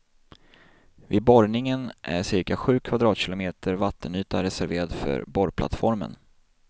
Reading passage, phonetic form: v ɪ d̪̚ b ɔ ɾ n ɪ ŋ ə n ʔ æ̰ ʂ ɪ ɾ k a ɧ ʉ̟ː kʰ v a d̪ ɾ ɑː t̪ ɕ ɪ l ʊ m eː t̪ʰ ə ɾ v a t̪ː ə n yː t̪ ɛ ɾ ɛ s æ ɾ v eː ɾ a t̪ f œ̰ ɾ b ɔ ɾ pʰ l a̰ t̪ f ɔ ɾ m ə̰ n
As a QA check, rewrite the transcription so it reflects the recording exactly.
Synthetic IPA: v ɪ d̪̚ b ɔ ɾ n ɪ ŋ ə n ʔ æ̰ ʂ ɪ ɾ k a ɧ ʉ̟ː kʰ v a d̪ ɾ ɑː t̪ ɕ ɪ l ʊ m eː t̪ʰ ə ɾ v a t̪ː ə n yː t̪ a ɾ ɛ s æ ɾ v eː ɾ a d̪ f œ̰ ɾ b ɔ ɾ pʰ l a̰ t̪ f ɔ ɾ m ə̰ n